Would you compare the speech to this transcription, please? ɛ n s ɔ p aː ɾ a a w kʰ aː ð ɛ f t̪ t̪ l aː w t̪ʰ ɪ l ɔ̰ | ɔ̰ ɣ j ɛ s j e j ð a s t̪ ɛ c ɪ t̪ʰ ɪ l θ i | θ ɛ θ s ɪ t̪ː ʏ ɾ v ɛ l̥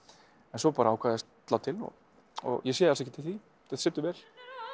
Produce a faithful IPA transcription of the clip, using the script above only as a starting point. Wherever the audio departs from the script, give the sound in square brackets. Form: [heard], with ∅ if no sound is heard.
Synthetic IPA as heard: ɛ n s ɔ p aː ɾ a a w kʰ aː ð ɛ [s] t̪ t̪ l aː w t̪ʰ ɪ l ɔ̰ | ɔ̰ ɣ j ɛ s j [ɛ] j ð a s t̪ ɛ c ɪ t̪ʰ ɪ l θ i | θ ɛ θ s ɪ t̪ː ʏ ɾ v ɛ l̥